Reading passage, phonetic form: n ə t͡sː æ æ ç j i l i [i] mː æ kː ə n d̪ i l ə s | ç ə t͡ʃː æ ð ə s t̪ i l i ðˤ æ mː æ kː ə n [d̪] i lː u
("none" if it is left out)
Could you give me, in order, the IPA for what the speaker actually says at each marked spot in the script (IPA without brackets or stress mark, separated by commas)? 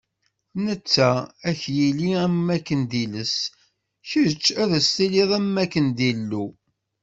æ, d̪